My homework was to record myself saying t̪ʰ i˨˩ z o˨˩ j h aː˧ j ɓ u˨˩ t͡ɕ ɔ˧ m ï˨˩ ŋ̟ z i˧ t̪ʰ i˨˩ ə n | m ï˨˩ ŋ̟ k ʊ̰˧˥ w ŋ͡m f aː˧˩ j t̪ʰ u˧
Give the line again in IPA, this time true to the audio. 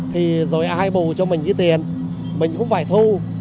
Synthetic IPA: t̪ʰ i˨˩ z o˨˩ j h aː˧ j ɓ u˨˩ t͡ɕ ɔ˧ m ï˨˩ ŋ̟ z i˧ t̪ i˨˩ ə n | m ï˨˩ ŋ̟ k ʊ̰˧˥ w ŋ͡m f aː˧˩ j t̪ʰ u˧